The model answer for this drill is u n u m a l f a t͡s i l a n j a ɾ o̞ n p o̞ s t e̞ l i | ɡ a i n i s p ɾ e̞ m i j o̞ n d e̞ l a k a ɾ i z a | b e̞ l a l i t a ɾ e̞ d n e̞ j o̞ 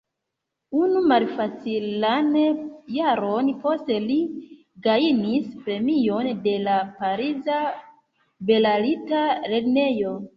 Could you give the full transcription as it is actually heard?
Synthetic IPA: u n u m a l f a t͡s i l a n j a ɾ o̞ n p o̞ s t e̞ l i | ɡ a i n i s p ɾ e̞ m i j o̞ n d e̞ l a p a ɾ i z a | b e̞ l a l i t a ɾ e̞ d n e̞ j o̞